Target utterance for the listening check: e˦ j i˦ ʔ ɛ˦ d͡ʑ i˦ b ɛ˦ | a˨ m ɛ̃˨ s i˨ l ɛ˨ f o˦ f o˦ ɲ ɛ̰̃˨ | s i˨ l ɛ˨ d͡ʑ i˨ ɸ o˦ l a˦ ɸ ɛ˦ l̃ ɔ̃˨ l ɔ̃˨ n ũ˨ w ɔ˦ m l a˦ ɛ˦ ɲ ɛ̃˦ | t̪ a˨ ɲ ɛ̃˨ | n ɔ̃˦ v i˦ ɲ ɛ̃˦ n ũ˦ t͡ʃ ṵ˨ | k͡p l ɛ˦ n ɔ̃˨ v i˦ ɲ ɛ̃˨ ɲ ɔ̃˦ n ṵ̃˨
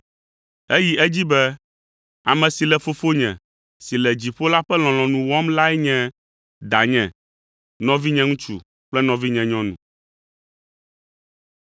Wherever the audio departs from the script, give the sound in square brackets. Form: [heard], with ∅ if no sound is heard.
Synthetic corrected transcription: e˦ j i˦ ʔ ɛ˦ d͡ʑ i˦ b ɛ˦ | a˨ m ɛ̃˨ s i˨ l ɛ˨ f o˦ f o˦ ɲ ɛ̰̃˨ | s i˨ l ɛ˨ d͡ʑ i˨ ɸ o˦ l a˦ ɸ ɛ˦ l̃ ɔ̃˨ l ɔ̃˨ n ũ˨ w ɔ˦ m l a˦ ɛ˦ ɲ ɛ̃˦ | [d̪] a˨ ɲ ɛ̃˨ | n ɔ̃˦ v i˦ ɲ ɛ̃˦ [ŋ] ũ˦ t͡ʃ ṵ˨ | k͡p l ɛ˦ n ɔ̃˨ v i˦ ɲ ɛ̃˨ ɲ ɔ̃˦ n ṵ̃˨